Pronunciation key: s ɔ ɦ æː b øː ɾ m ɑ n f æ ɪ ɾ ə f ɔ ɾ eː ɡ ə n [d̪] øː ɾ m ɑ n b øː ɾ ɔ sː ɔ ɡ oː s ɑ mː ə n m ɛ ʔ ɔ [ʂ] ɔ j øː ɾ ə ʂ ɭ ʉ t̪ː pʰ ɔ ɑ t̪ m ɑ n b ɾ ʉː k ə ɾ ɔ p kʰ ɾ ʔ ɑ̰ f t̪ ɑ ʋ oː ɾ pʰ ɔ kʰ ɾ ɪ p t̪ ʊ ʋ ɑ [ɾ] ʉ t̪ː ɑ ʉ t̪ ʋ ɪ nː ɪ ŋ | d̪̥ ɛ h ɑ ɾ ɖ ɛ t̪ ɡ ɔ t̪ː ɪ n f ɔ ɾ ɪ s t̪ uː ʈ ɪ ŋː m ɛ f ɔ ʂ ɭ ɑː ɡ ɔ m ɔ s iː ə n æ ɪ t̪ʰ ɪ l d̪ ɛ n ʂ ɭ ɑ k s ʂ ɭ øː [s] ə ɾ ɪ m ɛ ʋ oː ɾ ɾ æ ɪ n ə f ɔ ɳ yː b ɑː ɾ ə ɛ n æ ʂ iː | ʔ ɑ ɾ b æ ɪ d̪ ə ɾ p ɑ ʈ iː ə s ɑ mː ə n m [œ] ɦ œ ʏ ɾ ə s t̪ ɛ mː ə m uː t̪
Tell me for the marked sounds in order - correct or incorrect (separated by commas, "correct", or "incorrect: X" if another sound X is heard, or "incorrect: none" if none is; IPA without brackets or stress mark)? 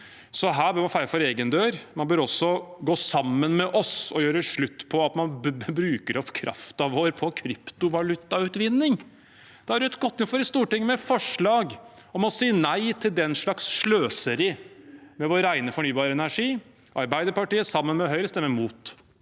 correct, incorrect: s, incorrect: l, correct, incorrect: ɛ